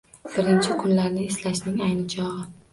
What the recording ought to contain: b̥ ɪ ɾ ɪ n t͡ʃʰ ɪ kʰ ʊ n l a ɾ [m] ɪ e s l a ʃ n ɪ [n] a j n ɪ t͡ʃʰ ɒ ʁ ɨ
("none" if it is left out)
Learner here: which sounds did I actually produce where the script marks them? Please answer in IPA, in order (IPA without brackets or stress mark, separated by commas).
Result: n, ŋ